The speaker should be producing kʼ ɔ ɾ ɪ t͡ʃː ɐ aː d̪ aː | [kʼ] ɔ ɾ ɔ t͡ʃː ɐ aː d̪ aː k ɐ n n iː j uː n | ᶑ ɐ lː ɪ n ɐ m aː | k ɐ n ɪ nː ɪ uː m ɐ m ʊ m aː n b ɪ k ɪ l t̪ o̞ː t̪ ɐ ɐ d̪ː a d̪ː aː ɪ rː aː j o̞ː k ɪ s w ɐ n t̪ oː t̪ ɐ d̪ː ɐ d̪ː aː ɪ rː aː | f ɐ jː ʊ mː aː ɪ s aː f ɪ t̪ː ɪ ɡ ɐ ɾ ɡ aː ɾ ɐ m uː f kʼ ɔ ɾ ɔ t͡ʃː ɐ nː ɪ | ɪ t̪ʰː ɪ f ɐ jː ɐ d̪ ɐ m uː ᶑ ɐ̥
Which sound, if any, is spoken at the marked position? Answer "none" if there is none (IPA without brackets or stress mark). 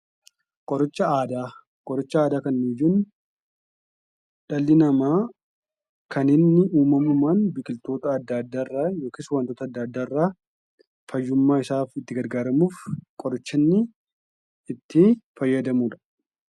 kʼ